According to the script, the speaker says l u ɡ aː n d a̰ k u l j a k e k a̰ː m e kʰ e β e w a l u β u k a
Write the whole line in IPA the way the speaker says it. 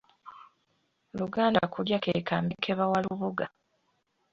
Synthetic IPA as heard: l u ɡ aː n d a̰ k u l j a k e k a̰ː m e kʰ e β a w a l u β u ɡ a